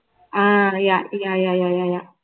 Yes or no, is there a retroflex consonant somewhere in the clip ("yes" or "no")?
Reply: no